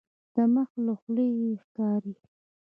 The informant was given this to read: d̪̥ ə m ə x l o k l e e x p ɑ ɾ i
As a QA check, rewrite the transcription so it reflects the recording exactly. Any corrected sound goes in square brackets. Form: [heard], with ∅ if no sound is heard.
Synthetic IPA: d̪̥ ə m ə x l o [x] l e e x [k] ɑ ɾ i